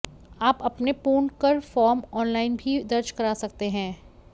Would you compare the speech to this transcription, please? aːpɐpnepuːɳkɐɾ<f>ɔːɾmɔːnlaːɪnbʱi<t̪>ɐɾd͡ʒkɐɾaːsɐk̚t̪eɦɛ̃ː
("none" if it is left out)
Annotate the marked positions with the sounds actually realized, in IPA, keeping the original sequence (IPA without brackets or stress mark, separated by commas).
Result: f, d̪